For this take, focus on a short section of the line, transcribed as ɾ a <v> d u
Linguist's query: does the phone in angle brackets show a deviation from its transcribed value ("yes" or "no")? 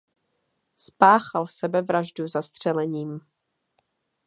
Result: yes